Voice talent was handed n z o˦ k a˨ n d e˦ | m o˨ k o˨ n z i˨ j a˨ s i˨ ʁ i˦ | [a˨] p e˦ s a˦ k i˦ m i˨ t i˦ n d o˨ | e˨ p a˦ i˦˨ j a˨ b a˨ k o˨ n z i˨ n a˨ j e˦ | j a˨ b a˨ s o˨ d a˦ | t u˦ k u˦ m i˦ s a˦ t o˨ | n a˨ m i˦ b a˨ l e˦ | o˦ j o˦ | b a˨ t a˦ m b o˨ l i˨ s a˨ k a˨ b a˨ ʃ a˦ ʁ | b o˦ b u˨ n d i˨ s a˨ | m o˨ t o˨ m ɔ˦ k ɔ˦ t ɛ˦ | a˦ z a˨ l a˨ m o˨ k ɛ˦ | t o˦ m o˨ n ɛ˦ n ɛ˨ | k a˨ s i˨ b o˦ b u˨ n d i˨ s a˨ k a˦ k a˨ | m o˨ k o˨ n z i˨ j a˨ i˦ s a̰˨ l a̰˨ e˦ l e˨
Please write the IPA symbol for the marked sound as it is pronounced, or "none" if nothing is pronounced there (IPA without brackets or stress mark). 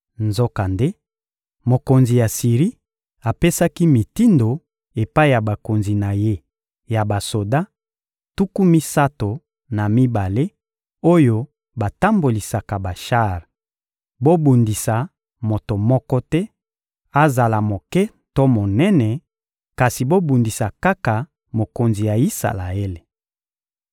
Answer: a˨